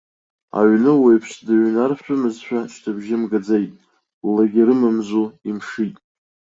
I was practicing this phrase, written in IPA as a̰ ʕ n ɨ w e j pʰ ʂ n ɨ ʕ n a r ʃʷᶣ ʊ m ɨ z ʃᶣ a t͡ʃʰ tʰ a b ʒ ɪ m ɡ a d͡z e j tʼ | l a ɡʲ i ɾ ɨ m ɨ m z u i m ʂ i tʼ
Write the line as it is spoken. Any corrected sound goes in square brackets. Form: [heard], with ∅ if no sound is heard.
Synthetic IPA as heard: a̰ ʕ n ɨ w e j pʰ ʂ [d] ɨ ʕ n a r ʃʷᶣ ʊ m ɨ z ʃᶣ a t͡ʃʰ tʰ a b ʒ ɪ m ɡ a d͡z e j tʼ | l a ɡʲ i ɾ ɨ m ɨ m z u i m ʂ i tʼ